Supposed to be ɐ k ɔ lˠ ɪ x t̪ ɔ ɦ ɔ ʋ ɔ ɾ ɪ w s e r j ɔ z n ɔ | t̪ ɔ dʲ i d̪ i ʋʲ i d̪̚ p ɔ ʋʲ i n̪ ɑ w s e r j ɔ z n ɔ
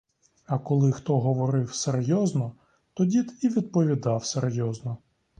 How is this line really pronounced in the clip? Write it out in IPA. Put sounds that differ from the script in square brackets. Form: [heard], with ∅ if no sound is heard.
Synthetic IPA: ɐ k ɔ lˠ ɪ x t̪ ɔ ɦ ɔ ʋ ɔ ɾ ɪ w s e r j ɔ z n ɔ | t̪ ɔ dʲ i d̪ i ʋʲ i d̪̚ p ɔ ʋʲ i [d̪] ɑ w s e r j ɔ z n ɔ